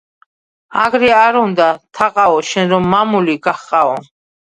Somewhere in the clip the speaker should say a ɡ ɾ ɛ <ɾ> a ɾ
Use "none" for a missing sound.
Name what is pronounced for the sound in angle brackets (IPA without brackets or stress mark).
none